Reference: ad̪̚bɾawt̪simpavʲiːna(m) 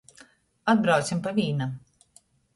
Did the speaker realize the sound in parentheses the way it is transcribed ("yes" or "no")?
yes